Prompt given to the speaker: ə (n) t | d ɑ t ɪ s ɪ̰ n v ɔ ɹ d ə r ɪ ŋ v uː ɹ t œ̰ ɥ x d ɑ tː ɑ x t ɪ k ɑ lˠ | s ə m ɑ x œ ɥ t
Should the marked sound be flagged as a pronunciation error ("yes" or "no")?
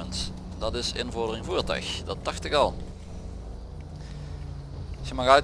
no